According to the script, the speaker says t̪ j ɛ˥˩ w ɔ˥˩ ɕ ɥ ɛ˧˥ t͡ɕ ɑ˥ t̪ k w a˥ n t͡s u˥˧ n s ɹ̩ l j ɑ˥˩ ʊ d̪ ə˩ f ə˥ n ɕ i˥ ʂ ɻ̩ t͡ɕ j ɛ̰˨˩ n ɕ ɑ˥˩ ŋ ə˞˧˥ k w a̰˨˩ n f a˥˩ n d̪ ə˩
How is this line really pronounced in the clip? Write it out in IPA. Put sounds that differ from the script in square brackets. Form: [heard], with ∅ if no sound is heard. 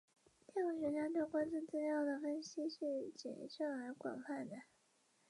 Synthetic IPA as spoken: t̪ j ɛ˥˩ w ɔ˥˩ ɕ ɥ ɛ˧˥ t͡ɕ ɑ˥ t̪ k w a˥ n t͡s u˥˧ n [t͡s] ɹ̩ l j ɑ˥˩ ʊ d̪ ə˩ f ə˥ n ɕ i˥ ʂ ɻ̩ t͡ɕ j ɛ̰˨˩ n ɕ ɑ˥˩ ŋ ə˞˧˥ k w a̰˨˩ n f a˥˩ n d̪ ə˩